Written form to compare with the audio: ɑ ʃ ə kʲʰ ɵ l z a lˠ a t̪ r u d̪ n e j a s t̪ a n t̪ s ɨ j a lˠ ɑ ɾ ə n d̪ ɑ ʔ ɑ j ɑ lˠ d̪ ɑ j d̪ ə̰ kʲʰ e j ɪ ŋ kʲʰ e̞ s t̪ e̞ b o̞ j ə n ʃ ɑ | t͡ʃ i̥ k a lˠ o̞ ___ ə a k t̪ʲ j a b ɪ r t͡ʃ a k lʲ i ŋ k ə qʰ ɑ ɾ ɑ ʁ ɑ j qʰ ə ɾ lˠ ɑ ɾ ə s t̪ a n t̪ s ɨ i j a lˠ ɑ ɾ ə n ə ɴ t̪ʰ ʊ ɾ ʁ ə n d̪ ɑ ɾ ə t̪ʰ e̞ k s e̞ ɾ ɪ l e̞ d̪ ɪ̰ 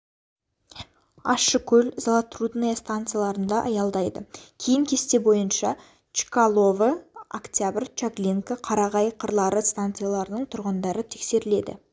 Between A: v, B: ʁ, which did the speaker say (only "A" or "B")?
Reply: A